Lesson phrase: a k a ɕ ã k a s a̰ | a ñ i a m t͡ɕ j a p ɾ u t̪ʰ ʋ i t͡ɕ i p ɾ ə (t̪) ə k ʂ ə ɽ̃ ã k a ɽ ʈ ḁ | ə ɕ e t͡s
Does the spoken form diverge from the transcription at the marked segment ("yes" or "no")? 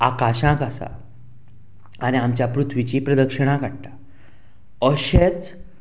yes